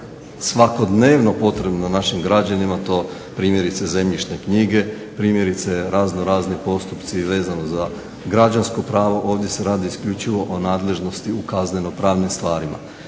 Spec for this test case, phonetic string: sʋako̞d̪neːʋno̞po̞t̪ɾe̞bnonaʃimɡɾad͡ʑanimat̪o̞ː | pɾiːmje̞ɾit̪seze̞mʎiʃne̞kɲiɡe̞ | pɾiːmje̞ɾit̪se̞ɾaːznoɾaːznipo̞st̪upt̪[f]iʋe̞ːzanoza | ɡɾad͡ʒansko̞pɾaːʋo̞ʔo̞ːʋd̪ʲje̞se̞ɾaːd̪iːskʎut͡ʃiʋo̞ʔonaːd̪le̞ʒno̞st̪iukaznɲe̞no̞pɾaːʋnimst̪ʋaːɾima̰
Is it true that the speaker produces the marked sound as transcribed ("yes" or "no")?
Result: no